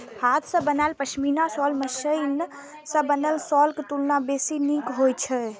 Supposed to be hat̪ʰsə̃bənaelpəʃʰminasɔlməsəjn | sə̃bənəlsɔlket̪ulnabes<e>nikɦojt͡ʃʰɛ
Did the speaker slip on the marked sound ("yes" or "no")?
yes